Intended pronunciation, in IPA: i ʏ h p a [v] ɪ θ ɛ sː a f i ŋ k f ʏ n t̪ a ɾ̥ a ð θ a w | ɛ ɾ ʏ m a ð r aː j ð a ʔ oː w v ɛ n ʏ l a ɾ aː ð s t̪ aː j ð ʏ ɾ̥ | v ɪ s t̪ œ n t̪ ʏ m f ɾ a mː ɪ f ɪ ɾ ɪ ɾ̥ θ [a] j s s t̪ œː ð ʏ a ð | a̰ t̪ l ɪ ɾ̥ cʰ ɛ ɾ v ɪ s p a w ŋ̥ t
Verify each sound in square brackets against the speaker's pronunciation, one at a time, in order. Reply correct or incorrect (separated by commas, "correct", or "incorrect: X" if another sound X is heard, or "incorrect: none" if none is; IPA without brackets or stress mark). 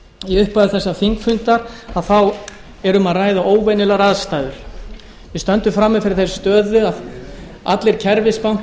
incorrect: ð, incorrect: e